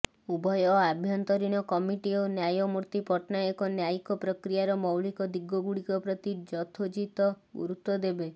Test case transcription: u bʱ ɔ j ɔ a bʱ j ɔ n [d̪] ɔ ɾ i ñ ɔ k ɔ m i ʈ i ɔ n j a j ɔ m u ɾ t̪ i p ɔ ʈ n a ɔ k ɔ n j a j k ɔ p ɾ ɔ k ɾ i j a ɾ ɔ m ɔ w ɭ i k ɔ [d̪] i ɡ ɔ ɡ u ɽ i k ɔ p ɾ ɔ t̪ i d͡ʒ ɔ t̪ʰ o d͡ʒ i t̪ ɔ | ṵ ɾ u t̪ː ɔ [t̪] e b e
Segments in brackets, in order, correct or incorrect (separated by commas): incorrect, correct, incorrect